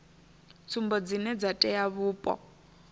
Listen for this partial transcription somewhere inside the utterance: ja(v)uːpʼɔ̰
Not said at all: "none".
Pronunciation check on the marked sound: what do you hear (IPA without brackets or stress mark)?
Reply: β